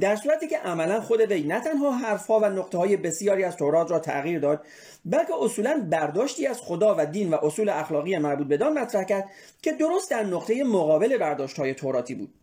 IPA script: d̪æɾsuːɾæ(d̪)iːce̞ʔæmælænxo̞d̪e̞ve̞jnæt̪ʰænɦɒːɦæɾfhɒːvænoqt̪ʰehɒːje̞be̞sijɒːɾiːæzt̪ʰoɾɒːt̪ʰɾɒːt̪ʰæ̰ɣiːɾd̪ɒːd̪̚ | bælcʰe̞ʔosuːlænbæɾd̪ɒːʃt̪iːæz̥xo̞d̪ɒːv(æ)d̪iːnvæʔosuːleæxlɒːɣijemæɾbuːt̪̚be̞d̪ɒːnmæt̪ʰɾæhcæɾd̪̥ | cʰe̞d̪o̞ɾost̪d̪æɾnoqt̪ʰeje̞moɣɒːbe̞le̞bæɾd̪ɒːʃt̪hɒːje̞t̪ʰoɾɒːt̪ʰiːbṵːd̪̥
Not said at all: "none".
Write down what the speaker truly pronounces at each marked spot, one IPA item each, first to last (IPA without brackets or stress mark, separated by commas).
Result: t̪, æ